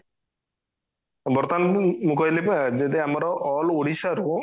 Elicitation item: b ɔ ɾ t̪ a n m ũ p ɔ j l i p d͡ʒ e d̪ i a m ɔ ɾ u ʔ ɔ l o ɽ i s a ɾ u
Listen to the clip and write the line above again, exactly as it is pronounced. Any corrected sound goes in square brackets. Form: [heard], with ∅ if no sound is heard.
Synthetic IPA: b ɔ ɾ t̪ a n m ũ [k] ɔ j l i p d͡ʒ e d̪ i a m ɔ ɾ [ɔ] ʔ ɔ l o ɽ i s a ɾ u